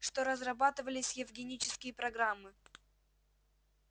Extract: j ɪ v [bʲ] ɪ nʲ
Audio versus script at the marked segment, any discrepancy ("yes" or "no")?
yes